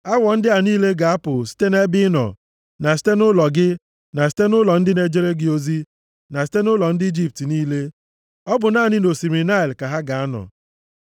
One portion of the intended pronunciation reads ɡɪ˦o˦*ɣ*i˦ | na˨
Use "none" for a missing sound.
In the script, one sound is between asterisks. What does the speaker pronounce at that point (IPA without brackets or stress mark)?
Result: z